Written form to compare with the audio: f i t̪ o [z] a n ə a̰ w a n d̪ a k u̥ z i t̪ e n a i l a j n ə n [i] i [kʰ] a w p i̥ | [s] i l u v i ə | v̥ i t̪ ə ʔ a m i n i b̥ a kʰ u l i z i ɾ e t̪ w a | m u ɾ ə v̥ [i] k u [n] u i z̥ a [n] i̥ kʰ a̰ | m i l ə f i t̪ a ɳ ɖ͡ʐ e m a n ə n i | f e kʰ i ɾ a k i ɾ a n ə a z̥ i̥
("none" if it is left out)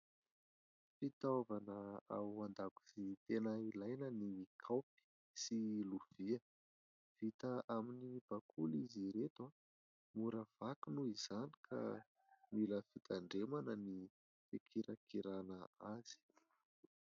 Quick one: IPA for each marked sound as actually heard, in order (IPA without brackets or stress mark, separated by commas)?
v, i, kʰ, s, a, n, n